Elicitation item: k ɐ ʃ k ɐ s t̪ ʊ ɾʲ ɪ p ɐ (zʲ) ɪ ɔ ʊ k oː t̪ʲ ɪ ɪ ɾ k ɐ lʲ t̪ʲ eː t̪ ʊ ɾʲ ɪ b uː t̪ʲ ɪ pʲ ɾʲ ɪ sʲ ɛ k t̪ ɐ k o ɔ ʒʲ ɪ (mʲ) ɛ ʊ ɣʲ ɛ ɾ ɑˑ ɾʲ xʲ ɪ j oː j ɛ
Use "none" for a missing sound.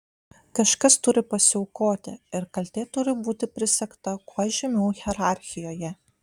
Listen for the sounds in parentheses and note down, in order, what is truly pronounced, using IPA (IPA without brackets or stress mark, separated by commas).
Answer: sʲ, mʲ